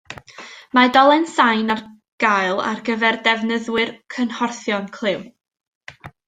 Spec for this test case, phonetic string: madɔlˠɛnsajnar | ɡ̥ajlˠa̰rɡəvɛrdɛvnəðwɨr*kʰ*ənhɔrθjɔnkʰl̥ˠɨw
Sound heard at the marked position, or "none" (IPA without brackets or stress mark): kʰ